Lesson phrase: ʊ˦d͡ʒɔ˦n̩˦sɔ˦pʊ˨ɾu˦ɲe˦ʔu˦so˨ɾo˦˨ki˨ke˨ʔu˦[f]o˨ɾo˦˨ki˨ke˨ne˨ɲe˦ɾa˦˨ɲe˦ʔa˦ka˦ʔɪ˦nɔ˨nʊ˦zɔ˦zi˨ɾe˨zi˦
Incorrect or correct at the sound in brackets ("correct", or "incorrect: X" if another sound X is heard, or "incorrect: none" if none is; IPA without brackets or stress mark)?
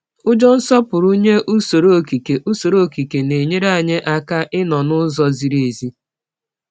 incorrect: s